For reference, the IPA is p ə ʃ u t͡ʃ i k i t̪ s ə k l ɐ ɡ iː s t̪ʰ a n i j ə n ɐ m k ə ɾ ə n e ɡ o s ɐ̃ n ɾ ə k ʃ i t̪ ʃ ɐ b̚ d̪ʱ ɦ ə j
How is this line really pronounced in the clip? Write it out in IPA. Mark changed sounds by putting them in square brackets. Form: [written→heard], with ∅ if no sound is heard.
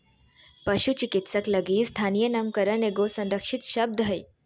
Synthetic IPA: p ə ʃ u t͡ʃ i k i t̪ s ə k l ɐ ɡ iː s t̪ʰ a n i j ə n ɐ m k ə ɾ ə n e ɡ o s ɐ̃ n ɾ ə k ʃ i t̪ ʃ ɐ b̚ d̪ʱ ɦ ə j